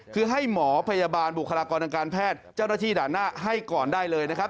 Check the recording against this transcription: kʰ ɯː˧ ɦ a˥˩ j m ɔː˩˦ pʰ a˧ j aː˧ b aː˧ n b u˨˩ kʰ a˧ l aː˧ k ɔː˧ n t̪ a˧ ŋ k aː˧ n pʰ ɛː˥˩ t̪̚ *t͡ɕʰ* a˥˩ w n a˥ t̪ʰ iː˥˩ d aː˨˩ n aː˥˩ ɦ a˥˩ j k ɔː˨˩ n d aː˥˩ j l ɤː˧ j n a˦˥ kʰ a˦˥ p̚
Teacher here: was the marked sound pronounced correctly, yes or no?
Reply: no